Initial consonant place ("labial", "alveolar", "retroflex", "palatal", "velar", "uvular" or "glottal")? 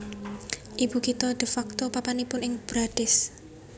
glottal